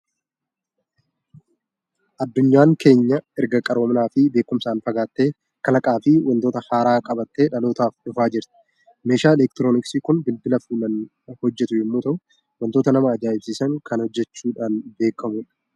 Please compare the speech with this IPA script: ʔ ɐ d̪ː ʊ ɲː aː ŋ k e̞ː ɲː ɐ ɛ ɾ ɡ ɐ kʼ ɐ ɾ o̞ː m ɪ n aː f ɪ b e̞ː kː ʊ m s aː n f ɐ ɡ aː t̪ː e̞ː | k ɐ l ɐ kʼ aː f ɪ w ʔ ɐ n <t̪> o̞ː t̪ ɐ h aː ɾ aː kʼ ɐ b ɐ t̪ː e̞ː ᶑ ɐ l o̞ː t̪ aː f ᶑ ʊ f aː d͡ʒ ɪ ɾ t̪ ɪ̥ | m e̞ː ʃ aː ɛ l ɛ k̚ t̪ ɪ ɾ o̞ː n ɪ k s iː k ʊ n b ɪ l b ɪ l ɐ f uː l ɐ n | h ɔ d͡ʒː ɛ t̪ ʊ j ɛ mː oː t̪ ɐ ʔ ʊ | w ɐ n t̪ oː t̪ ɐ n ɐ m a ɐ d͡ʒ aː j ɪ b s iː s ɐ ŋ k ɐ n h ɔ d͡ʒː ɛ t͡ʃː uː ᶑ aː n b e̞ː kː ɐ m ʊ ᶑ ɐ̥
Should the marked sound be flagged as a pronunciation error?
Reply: no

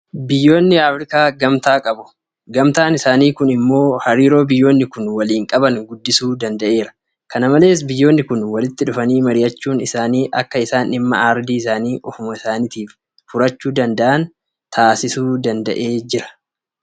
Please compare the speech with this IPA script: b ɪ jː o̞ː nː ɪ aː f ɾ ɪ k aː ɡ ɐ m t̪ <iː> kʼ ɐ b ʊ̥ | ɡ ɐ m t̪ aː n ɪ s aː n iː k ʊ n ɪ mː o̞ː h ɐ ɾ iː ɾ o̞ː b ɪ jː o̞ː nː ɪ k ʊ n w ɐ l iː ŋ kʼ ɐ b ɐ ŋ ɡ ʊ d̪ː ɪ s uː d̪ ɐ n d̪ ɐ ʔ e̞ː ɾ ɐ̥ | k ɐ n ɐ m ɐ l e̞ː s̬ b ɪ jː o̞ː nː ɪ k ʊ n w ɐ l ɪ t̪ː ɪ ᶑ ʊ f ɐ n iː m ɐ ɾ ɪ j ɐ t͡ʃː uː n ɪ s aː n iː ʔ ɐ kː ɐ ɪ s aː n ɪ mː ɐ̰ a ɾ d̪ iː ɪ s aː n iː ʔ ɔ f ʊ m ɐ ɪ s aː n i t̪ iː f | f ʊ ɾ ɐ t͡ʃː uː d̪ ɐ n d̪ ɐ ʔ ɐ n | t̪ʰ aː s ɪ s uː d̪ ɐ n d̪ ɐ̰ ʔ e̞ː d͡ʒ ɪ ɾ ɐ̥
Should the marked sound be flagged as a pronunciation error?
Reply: yes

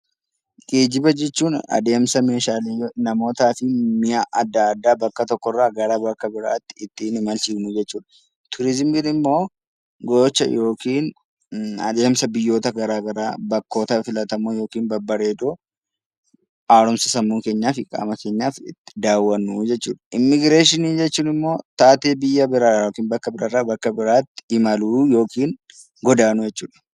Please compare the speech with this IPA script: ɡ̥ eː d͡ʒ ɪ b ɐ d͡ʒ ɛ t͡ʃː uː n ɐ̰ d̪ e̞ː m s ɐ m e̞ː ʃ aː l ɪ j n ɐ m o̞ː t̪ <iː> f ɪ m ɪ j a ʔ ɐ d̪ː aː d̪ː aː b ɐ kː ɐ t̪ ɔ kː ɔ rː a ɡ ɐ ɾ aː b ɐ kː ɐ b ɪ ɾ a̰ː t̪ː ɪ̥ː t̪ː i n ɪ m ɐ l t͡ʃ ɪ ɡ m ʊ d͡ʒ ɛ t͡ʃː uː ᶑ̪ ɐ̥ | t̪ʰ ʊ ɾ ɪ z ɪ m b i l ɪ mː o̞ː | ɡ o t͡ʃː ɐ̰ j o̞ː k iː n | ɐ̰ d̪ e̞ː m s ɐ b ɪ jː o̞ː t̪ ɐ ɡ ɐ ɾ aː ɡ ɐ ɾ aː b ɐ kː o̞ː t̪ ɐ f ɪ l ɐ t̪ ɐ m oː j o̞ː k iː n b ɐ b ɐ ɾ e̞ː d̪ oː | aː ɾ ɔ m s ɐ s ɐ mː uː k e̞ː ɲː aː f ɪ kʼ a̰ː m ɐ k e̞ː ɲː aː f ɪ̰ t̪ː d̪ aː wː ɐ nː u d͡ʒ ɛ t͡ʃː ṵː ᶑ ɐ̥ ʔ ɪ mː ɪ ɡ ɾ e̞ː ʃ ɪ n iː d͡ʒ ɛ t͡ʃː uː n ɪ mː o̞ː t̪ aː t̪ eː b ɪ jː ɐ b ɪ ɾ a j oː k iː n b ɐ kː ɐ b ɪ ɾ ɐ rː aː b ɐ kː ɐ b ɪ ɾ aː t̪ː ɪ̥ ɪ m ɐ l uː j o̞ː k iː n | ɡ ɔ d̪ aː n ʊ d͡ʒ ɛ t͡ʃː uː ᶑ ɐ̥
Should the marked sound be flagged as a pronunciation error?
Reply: yes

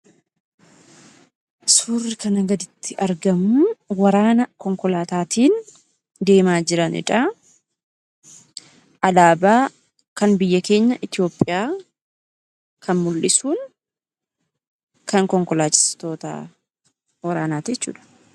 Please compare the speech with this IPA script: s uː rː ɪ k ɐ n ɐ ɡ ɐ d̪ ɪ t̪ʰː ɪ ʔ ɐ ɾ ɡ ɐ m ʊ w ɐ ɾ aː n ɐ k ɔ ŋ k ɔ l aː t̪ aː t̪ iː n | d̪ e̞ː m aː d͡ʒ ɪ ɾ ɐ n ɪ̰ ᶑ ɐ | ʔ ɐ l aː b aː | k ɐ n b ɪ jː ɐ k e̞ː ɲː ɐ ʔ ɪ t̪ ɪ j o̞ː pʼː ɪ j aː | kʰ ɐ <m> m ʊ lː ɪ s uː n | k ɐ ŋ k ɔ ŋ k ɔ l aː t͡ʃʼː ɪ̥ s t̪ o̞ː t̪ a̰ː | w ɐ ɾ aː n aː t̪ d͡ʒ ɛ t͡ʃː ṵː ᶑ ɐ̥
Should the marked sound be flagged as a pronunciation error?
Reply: yes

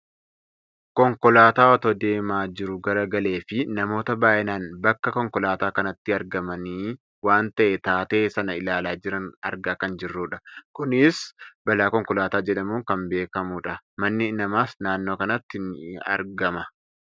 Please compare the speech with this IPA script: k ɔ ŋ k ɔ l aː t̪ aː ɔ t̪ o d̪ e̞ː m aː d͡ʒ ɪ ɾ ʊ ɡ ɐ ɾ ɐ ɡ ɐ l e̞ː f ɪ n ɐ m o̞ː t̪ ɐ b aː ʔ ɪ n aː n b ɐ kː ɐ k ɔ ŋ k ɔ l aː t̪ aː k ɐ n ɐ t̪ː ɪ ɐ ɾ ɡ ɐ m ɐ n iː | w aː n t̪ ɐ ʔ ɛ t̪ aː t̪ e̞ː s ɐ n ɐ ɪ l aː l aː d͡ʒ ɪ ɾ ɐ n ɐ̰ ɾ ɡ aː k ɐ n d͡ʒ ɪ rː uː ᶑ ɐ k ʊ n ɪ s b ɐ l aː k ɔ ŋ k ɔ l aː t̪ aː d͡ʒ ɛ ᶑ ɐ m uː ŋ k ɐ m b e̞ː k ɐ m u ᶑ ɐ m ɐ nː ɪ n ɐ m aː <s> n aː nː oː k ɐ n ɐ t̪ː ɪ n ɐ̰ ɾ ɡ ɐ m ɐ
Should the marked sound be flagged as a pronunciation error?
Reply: no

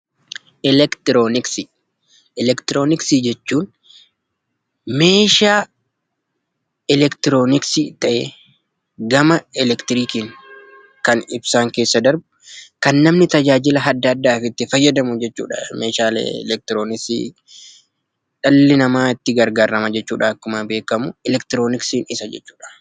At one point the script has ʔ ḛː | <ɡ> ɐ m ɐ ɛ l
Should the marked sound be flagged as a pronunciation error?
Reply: no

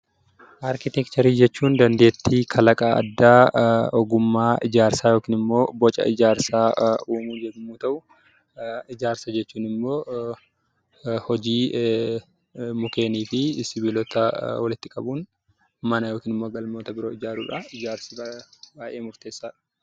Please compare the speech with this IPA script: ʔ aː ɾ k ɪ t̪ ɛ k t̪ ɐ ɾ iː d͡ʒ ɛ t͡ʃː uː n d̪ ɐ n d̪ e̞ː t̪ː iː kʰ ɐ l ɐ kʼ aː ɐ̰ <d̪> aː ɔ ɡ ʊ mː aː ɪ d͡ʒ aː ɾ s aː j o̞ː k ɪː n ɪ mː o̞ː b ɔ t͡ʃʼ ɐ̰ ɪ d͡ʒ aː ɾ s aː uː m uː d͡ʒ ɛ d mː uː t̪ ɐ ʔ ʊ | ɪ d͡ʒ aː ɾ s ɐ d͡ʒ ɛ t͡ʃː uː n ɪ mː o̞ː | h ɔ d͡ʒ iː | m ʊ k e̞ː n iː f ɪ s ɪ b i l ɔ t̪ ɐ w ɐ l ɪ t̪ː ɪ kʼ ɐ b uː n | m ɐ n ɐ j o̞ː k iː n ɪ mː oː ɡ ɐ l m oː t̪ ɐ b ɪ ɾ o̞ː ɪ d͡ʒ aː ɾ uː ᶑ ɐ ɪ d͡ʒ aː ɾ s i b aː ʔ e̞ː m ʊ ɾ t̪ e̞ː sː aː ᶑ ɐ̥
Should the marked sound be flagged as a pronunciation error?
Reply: yes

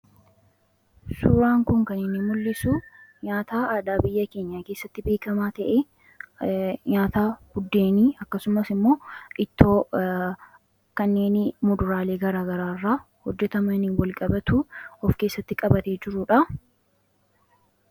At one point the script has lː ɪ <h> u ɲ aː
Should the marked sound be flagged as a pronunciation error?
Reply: yes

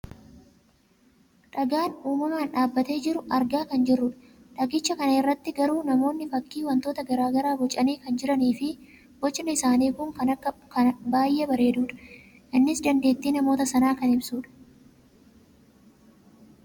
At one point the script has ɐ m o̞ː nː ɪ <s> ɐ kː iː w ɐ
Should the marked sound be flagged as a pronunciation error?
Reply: yes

